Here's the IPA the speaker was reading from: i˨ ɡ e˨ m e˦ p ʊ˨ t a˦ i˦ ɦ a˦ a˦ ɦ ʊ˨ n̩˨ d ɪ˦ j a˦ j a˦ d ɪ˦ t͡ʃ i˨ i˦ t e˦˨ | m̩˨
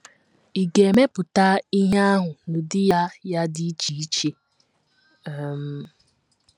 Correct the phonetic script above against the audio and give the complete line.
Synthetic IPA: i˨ ɡ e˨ m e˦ p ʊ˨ t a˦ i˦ ɦ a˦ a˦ ɦ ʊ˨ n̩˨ d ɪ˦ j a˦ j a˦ d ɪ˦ t͡ʃ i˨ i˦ t͡ʃ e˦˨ | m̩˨

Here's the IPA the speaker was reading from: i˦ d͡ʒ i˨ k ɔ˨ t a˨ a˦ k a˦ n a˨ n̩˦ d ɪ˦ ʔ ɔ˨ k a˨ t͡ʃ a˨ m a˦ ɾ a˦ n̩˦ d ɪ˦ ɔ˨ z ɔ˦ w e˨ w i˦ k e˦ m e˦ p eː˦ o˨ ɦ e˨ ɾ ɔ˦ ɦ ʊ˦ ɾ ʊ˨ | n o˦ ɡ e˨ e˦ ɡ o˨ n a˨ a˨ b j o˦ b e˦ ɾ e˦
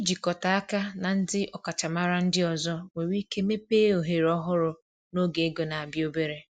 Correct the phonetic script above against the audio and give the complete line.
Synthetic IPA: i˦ d͡ʒ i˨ k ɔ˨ t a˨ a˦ k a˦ n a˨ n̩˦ d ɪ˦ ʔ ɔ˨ k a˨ t͡ʃ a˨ m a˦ ɾ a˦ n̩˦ d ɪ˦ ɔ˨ z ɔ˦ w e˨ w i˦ k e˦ m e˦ p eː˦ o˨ ɦ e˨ ɾ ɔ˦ ɦ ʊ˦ ɾ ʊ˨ | n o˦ ɡ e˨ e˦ ɡ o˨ n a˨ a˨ b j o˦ b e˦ ɾ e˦

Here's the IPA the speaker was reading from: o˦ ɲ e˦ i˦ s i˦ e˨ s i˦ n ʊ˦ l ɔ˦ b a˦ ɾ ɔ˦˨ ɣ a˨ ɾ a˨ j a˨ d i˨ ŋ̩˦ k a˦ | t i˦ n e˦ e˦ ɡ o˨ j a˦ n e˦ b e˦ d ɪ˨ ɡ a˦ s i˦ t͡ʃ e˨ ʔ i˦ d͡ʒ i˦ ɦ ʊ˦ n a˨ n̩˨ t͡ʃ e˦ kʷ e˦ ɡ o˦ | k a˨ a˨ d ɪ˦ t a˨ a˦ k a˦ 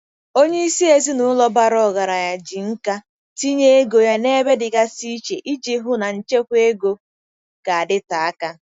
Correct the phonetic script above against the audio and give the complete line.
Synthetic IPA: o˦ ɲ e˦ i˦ s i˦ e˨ z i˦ n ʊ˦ l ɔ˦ b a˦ ɾ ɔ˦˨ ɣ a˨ ɾ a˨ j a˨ d͡ʒ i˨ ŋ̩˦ k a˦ | t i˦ ɲ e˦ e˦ ɡ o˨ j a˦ n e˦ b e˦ d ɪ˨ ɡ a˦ s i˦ t͡ʃ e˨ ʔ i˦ d͡ʒ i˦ ɦ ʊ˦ n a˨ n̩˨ t͡ʃ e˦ kʷ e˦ ɡ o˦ | k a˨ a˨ d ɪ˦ t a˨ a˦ k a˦

